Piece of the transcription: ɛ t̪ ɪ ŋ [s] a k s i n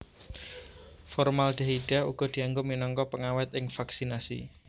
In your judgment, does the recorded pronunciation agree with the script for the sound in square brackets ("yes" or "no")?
no